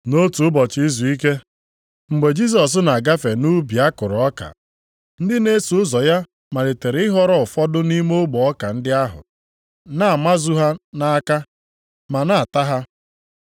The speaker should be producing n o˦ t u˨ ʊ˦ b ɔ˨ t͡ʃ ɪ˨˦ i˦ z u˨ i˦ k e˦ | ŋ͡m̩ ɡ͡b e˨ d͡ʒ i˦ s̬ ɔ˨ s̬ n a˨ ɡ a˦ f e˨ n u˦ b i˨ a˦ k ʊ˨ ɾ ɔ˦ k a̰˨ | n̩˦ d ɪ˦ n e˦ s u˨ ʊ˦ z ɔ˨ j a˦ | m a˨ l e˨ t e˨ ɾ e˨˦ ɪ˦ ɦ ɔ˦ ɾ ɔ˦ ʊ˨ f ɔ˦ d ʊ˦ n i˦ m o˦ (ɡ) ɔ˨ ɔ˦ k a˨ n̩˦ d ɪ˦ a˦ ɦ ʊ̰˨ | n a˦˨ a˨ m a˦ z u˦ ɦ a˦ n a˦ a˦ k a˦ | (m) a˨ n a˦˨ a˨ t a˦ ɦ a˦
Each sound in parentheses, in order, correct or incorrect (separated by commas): incorrect, correct